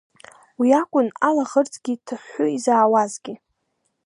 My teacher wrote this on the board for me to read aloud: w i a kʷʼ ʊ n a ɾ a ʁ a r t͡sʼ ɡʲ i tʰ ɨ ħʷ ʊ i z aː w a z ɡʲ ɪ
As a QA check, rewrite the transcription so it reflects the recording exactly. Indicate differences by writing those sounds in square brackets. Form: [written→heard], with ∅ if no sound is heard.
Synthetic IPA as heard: w i a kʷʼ ʊ n a [ɾ→l] a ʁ [a→ə] r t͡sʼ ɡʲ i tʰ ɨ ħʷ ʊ i z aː w a z ɡʲ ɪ